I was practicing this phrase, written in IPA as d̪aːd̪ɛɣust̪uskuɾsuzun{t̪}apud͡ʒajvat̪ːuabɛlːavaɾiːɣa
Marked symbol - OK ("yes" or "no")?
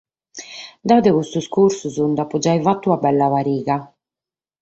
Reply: no